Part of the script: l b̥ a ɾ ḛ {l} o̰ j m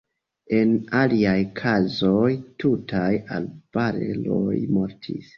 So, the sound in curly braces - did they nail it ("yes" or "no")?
yes